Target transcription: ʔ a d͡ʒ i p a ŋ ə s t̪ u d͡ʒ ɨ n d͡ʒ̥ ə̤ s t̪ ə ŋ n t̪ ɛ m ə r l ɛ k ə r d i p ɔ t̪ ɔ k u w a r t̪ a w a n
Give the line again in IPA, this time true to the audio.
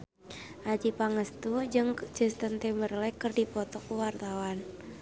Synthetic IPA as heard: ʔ a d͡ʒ i p a ŋ ə s t̪ u d͡ʒ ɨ ŋ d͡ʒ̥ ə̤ s t̪ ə n t̪ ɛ m ə r l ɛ k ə r d i p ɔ t̪ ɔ k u w a r t̪ a w a n